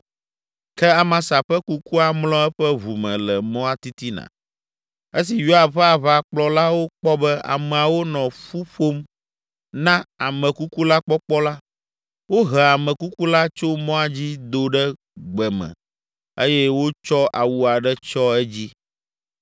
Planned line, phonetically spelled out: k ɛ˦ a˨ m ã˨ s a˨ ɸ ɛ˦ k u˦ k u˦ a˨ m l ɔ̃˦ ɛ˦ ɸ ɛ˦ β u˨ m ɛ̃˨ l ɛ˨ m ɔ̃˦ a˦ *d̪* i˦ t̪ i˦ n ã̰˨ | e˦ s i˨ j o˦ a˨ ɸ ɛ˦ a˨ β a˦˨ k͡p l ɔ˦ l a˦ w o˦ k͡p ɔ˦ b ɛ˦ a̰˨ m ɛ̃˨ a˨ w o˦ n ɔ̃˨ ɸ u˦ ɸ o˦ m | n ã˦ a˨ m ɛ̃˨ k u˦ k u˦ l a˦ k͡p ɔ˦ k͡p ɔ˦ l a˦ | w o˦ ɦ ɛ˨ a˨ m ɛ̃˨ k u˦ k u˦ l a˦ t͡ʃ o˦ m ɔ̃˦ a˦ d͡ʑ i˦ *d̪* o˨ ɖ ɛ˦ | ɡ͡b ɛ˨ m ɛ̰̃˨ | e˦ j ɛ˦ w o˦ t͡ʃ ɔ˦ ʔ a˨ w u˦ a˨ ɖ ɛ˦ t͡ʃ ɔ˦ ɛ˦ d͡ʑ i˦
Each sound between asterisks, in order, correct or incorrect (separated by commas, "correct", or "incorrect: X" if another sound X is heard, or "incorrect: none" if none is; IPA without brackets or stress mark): incorrect: t̪, correct